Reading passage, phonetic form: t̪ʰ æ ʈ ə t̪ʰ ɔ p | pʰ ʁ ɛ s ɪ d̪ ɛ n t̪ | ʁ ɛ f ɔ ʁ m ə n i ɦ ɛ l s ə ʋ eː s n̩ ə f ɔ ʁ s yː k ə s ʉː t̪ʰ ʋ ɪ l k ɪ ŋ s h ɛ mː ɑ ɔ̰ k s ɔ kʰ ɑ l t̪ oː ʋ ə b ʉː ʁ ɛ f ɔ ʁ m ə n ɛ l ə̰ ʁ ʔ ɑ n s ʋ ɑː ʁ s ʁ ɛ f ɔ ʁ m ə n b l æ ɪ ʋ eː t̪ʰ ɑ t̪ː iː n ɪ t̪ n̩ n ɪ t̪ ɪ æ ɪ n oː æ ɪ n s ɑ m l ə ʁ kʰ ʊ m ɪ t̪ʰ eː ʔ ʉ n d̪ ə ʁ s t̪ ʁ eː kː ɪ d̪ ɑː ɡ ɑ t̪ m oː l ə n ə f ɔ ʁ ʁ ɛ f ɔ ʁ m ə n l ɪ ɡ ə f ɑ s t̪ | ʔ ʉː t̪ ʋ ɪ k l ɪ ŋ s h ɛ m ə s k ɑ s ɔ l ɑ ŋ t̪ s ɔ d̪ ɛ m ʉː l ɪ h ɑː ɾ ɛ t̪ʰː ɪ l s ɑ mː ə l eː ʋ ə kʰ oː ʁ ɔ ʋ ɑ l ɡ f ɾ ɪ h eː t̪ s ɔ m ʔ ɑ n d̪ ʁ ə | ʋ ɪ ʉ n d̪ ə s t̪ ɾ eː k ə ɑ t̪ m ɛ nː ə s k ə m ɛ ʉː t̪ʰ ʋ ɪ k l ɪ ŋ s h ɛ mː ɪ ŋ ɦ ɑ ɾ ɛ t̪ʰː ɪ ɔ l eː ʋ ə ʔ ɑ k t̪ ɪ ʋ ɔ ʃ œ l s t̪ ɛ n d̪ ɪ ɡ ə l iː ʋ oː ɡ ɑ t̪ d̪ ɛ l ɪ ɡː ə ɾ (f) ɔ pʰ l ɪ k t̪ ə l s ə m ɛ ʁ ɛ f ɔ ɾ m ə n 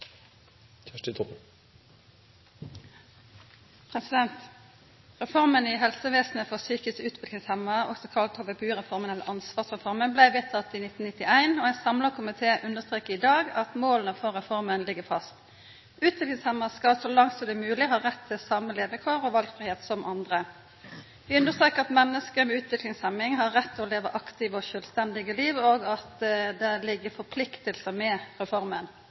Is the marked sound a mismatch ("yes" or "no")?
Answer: no